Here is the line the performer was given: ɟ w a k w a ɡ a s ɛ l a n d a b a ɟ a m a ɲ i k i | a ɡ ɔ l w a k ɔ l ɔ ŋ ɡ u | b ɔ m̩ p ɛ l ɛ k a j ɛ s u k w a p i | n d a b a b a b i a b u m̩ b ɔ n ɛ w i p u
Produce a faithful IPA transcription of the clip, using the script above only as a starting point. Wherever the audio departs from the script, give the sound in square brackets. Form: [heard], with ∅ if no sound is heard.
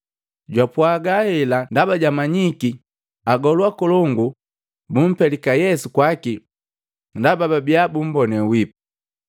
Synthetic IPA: ɟ w a [p] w a ɡ a [h] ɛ l a n d a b a ɟ a m a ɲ i k i | a ɡ ɔ l w a k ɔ l ɔ ŋ ɡ u | b [u] m̩ p ɛ l [i] k a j ɛ s u k w a [k] i | n d a b a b a b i a b u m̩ b ɔ n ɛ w i p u

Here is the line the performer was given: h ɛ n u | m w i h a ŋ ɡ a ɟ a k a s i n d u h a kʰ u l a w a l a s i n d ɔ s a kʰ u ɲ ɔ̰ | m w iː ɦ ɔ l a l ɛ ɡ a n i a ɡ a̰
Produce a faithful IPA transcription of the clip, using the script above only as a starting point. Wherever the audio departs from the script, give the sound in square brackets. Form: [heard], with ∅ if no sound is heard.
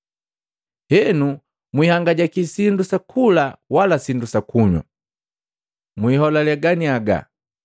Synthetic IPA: h ɛ n u | m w i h a ŋ ɡ a ɟ a k [i] s i n d u [s] a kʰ u l a w a l a s i n d [u] s a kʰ u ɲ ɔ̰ | m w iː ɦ ɔ l a l ɛ ɡ a n i a ɡ a̰

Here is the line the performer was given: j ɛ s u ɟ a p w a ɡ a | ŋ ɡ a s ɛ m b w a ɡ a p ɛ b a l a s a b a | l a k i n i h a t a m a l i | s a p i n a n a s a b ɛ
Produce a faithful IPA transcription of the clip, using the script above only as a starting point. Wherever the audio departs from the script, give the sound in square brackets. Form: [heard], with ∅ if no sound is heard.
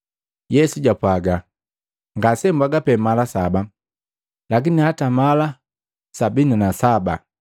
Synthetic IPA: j ɛ s u ɟ a p w a ɡ a | ŋ ɡ a s ɛ m b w a ɡ a p ɛ [m] a l a s a b a | l a k i n i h a t a m a l [a] | s a [b] i n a n a s a b [a]

